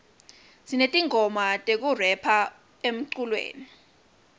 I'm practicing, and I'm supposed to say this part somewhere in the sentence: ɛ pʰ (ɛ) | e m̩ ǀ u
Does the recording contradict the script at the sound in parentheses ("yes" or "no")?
yes